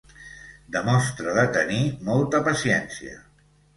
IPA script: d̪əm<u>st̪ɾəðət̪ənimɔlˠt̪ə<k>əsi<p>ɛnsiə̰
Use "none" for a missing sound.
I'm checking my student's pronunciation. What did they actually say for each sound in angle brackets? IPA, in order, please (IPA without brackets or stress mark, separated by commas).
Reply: ɔ, p, none